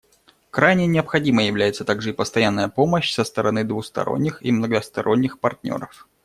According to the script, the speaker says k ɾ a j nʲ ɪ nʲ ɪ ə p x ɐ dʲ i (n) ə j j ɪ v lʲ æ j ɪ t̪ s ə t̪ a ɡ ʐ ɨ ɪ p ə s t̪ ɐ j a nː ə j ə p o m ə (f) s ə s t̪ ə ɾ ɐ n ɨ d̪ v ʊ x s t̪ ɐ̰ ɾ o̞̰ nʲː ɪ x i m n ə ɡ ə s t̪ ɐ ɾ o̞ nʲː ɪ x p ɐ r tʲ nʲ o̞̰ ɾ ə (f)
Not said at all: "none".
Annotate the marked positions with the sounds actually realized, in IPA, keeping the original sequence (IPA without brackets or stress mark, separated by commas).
m, ɕ, f